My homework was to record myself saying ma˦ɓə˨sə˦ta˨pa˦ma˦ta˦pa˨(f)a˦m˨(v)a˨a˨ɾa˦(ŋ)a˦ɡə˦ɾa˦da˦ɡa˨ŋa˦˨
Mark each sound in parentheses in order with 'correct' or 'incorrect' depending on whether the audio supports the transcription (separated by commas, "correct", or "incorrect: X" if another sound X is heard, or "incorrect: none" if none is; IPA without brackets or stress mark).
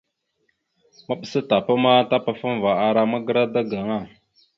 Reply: correct, correct, incorrect: m